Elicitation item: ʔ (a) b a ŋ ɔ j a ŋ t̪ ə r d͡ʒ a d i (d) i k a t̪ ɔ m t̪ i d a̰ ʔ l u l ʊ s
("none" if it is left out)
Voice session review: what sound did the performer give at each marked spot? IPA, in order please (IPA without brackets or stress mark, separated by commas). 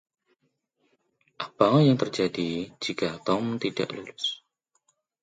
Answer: a, d͡ʒ